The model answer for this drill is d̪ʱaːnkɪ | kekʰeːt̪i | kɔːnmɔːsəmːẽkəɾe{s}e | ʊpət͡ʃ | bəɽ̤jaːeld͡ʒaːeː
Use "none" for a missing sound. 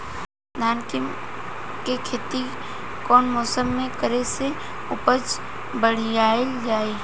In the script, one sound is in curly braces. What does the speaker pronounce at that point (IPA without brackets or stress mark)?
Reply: s